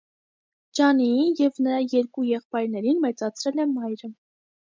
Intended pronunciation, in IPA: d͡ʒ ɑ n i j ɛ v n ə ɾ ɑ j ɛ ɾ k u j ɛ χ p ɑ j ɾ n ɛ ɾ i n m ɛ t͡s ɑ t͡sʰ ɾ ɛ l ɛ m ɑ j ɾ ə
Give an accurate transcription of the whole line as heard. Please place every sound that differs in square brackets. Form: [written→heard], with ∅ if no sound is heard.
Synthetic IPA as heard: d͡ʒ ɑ n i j ɛ v n ə ɾ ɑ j ɛ ɾ k u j ɛ χ p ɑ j ɾ n ɛ ɾ i n m ɛ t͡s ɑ t͡sʰ ɾ ɛ l ɛ m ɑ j ɾ ə